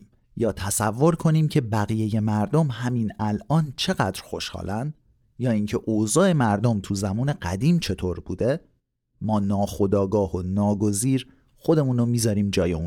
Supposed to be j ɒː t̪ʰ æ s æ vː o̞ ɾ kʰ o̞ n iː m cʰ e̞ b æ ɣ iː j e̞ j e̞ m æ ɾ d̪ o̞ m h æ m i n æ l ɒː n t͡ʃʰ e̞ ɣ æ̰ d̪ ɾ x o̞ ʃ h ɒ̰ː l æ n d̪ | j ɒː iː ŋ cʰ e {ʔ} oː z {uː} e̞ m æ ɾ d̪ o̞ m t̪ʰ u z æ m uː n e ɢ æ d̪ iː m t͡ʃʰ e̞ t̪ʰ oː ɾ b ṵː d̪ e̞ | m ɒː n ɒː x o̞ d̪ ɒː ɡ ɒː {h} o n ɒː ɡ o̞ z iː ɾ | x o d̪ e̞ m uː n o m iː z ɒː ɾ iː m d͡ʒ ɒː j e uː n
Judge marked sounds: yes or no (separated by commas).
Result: yes, no, yes